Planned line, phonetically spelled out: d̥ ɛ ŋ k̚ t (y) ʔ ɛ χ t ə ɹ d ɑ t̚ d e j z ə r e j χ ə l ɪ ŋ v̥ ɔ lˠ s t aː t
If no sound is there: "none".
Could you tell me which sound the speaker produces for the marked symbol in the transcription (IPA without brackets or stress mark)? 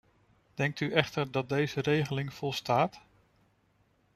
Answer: y